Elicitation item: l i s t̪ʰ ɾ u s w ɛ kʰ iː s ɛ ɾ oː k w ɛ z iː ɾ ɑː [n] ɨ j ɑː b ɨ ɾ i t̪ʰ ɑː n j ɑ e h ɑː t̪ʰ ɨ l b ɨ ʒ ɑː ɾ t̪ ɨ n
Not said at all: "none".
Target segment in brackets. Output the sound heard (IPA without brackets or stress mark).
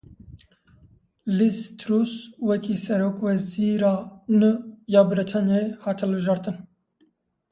n